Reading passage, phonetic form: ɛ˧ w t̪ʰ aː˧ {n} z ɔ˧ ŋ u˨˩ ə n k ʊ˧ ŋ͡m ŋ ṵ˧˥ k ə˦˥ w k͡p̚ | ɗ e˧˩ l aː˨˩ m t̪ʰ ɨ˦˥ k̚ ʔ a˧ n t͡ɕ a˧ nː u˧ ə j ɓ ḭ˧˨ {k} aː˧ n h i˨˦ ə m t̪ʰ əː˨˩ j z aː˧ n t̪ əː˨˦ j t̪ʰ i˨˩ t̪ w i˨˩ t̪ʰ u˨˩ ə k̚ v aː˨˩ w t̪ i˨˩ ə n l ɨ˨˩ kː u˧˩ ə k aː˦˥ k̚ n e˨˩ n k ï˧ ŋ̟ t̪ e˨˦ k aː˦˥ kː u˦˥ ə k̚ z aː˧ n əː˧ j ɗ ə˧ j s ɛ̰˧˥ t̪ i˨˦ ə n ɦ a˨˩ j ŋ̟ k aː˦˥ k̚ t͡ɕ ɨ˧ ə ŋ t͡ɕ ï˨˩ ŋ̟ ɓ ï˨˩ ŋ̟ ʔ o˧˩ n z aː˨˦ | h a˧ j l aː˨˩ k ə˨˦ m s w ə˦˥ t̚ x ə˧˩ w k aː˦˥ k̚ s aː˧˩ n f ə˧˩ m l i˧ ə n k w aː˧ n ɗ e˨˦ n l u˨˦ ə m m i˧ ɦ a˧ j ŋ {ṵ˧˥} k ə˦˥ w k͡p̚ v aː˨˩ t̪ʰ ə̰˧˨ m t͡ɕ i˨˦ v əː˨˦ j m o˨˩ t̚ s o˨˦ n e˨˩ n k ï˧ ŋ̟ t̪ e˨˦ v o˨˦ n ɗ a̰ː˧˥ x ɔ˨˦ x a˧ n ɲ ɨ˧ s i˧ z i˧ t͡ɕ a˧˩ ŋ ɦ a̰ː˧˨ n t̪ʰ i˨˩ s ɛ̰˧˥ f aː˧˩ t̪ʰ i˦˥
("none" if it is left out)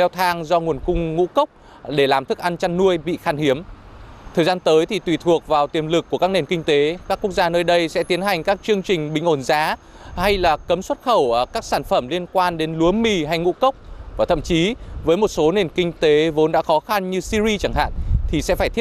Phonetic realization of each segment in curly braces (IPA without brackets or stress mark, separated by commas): ŋ, x, ṵ˧˥